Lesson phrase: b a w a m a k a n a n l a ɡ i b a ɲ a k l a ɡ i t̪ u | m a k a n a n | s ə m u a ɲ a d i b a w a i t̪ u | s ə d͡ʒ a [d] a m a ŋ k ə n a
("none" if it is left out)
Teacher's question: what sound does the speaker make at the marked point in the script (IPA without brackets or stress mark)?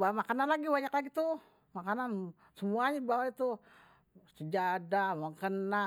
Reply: d